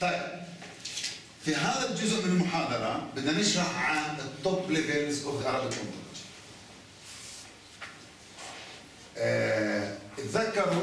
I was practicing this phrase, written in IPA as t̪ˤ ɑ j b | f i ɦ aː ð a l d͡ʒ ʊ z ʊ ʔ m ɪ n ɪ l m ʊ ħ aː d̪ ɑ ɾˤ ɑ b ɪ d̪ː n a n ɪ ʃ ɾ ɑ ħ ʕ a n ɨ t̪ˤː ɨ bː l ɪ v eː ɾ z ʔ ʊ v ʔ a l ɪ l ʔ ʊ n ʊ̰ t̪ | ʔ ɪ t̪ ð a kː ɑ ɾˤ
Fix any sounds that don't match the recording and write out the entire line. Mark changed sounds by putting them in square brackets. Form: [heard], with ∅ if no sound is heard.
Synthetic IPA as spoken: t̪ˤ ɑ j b | f i ɦ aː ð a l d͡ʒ ʊ z ʊ ʔ m ɪ n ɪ l m ʊ ħ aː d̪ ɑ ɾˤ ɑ b ɪ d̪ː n a n ɪ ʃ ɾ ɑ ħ ʕ a n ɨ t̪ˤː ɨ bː l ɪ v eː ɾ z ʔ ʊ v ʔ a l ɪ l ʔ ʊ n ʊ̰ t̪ | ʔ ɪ t̪ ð a kː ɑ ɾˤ